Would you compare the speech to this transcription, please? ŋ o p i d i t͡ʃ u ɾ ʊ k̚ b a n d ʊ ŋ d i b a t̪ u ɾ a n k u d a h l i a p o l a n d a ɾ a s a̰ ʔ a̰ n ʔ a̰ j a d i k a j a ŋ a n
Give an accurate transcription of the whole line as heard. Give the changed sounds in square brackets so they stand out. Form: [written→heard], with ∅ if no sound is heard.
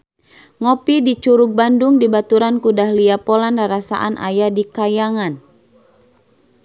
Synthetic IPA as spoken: ŋ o p i d i t͡ʃ u ɾ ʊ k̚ b a n d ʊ ŋ d i b a t̪ u ɾ a n k u d a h l i a p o l a n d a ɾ a s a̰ ʔ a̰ n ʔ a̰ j a d i k a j a ŋ a n

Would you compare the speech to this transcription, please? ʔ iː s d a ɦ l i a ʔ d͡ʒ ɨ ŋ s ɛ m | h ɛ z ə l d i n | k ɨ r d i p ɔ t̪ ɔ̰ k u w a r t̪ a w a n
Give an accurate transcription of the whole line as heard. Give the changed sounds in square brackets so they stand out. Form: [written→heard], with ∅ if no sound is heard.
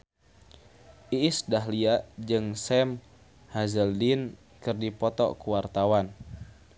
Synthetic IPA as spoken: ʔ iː s d a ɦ l i a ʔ d͡ʒ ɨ ŋ s ɛ m | h [ɛ→a] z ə l d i n | k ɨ r d i p ɔ t̪ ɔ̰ k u w a r t̪ a w a n

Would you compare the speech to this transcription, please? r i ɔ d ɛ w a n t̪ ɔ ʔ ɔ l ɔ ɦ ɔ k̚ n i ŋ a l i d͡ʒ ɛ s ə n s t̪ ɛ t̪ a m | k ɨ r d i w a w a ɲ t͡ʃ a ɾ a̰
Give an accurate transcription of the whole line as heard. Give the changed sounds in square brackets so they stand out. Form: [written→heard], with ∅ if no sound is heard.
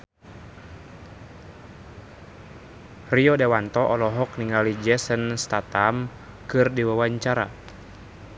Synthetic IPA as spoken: r i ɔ d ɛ w a n t̪ ɔ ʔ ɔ l ɔ ɦ ɔ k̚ n i ŋ a l i d͡ʒ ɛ s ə n s t̪ [ɛ→a] t̪ a m | k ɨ r d i w a w a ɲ t͡ʃ a ɾ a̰

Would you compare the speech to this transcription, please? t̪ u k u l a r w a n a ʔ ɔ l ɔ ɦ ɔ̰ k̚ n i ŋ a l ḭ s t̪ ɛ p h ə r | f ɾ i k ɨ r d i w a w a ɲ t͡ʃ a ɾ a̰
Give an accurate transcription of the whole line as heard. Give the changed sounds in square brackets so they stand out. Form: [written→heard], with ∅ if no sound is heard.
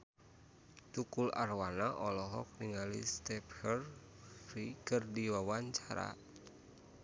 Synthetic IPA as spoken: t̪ u k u l a r w a n a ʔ ɔ l ɔ ɦ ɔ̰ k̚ n i ŋ a l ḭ s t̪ ɛ p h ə r | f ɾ i k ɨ r d i w a w a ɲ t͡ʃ a ɾ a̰

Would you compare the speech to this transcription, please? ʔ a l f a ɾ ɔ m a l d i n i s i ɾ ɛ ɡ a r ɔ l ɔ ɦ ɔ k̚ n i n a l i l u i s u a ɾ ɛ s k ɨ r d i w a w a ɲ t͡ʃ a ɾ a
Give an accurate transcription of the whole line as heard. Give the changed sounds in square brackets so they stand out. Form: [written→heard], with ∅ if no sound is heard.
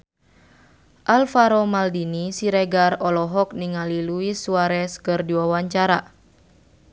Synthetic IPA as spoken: ʔ a l f a ɾ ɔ m a l d i n i s i ɾ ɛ ɡ a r ɔ l ɔ ɦ ɔ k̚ n i [n→ŋ] a l i l u i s u a ɾ ɛ s k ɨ r d i w a w a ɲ t͡ʃ a ɾ a

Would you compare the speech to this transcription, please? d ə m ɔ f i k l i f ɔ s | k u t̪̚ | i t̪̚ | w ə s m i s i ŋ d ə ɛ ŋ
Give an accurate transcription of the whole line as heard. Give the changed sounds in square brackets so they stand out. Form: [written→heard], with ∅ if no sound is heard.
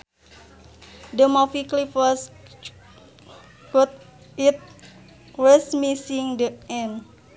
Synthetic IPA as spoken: d ə m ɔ f i k l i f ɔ s | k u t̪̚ | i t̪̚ | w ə s m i s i ŋ d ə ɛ [ŋ→n]

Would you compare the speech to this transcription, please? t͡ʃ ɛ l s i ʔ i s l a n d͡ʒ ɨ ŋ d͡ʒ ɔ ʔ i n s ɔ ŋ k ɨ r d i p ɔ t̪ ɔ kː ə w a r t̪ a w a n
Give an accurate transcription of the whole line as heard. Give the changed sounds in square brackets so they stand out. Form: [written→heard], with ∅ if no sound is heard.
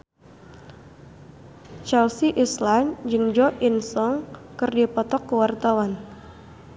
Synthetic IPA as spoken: t͡ʃ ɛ l s i ʔ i s l a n d͡ʒ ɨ ŋ d͡ʒ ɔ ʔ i n s ɔ ŋ k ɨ r d i p ɔ t̪ ɔ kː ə w a r t̪ a w a n

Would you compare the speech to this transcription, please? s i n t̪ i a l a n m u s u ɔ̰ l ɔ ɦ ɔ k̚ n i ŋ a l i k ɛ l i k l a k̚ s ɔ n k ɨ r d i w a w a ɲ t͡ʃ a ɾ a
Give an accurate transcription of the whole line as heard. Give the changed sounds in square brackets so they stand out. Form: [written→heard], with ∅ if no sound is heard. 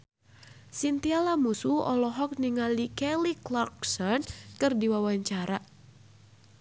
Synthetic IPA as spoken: s i n t̪ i a l a [n→∅] m u s u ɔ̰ l ɔ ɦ ɔ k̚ n i ŋ a l i k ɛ l i k l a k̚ s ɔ n k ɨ r d i w a w a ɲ t͡ʃ a ɾ a

